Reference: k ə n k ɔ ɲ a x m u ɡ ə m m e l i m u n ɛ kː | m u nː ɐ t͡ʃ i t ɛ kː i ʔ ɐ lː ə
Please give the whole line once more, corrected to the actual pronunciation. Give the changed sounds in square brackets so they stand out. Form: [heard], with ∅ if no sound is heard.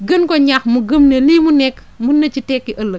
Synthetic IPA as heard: [ɡ] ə n k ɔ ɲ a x m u ɡ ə m [n] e l i m u n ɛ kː | m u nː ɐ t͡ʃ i t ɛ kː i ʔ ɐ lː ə